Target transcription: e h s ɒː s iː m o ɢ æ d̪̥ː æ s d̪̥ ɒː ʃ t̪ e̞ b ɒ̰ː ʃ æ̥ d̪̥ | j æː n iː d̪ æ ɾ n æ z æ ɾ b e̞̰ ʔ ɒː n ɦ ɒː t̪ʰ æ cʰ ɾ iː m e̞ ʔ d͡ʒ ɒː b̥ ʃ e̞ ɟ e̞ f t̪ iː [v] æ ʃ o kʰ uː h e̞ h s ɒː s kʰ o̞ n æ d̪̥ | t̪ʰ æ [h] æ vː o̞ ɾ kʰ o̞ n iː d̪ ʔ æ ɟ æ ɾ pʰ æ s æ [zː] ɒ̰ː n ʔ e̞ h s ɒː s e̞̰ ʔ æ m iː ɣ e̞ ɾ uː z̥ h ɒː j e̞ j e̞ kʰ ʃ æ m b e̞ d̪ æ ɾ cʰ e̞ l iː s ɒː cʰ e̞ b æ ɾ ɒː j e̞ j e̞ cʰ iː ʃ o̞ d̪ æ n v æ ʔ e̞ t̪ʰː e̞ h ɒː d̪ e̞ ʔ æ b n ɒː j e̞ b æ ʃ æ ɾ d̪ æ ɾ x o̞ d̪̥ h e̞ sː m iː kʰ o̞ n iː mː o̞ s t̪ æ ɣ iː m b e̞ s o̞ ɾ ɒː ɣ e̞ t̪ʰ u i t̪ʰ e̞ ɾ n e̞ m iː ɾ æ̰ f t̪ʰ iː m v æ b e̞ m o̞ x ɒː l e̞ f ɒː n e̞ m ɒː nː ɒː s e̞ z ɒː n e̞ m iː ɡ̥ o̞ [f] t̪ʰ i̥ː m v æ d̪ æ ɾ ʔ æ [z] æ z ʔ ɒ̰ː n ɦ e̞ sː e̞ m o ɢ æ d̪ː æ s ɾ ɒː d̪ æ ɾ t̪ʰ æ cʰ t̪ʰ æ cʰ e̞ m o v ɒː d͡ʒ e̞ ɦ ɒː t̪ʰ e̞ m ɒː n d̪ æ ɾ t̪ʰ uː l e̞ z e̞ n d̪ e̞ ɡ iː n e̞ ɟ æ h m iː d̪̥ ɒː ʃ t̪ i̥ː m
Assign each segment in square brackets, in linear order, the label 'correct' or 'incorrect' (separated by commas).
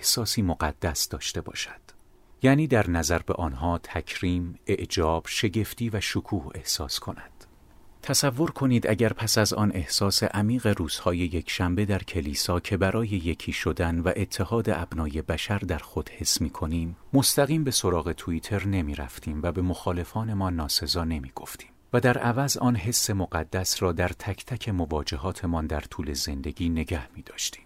correct, incorrect, incorrect, correct, incorrect